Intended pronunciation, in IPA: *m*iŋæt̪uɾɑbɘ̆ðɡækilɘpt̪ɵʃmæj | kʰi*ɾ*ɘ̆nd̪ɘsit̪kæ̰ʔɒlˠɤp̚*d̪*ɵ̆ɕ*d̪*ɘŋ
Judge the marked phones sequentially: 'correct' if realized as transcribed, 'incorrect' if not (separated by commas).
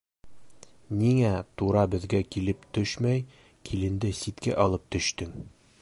incorrect, incorrect, incorrect, incorrect